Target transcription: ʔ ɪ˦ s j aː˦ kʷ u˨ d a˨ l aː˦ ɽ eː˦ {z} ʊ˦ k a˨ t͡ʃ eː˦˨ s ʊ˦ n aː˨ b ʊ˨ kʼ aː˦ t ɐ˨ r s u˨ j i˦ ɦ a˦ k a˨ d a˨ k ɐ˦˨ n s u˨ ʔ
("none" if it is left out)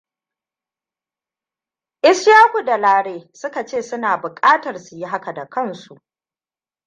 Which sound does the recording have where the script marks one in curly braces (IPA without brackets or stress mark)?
s